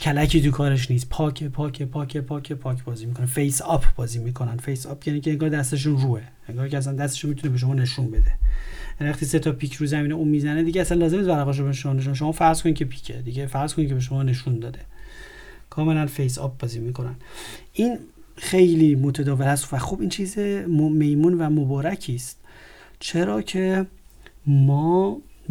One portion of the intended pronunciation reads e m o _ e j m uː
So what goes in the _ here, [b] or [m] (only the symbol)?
m